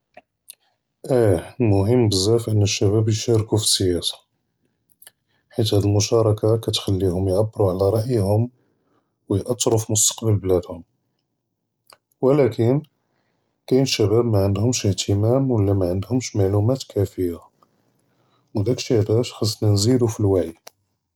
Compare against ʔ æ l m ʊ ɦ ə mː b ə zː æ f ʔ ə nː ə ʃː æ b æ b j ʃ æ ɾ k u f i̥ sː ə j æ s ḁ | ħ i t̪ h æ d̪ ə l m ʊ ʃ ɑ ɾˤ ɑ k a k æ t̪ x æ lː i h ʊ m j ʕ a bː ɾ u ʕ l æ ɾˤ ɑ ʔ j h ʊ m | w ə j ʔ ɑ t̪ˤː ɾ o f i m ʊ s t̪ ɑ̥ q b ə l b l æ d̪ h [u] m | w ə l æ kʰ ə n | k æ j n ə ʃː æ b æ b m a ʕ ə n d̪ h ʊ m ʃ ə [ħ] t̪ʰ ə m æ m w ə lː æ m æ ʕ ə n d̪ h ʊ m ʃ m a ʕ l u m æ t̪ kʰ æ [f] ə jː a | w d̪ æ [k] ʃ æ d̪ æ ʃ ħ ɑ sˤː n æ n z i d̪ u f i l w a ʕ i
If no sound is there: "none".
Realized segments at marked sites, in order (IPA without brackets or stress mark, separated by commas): ʊ, h, f, k